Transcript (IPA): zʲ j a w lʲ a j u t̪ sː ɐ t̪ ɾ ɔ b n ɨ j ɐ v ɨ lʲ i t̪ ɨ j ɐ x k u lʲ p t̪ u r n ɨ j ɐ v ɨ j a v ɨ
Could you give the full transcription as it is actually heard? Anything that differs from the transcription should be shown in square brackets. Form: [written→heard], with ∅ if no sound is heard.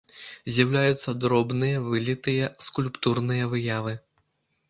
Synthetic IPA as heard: zʲ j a w lʲ a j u t̪ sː ɐ [t̪→d̪] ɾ ɔ b n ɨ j ɐ v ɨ lʲ i t̪ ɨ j ɐ [x→s] k u lʲ p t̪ u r n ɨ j ɐ v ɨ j a v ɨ